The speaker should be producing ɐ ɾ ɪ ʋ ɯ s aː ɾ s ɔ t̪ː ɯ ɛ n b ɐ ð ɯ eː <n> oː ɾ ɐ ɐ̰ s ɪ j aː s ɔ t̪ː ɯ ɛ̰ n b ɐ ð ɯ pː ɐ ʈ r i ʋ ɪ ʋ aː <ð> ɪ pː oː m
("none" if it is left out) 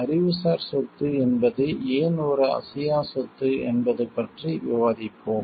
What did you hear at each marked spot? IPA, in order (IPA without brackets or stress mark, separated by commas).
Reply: n, ð